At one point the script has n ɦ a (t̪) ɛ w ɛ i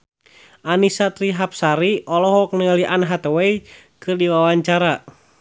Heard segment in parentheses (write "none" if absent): t̪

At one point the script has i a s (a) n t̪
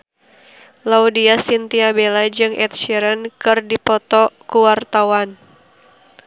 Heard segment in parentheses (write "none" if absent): i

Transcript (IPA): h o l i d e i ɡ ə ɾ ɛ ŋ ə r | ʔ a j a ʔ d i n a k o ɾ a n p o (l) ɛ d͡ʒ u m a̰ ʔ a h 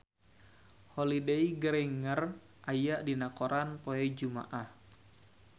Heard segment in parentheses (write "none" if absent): none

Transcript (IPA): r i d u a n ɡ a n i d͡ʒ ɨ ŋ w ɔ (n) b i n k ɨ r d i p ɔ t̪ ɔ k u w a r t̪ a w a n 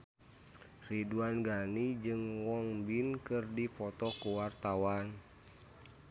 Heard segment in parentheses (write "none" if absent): ŋ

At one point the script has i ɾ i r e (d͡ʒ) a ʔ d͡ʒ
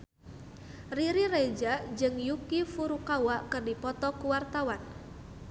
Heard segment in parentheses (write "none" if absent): d͡ʒ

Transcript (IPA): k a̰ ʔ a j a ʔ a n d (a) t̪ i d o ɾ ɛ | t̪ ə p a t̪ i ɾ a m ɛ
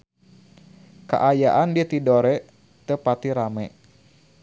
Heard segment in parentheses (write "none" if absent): i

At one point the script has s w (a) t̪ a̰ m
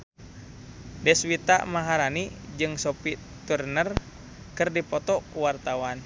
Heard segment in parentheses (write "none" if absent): i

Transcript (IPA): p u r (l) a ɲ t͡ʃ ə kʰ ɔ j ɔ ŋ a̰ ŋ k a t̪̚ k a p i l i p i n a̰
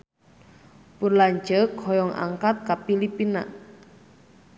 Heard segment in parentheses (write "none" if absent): l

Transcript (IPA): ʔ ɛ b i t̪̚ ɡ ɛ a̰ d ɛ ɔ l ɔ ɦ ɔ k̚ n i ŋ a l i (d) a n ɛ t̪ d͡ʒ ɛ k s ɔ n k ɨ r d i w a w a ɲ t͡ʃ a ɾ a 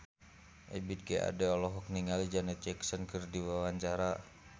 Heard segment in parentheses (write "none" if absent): d͡ʒ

